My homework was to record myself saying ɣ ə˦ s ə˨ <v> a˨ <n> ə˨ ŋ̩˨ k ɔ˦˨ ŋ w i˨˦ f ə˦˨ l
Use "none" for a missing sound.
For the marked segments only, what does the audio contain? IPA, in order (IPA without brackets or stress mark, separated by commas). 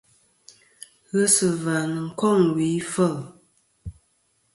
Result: v, n